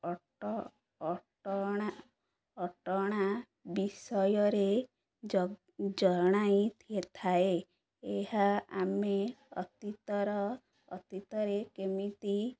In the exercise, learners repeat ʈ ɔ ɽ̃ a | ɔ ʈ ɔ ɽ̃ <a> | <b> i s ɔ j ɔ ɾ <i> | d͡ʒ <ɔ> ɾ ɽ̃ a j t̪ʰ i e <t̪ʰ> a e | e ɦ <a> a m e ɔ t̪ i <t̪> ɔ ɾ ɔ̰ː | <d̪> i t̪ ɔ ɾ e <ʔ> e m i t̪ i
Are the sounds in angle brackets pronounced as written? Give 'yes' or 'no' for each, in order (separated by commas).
yes, yes, no, yes, yes, yes, yes, no, no